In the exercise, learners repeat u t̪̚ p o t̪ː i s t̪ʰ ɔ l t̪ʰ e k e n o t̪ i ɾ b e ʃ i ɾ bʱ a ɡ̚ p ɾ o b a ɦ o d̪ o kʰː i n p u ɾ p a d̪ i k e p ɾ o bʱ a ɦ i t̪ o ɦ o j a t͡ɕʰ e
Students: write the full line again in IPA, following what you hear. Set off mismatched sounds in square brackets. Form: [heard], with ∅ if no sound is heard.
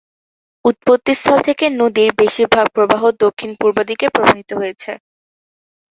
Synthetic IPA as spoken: u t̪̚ p o t̪ː i s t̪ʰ ɔ l t̪ʰ e k e n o [d̪] i ɾ b e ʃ i ɾ bʱ a ɡ̚ p ɾ o b a ɦ o d̪ o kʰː i n p u ɾ [b] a d̪ i k e p ɾ o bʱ a ɦ i t̪ o ɦ o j [e] t͡ɕʰ e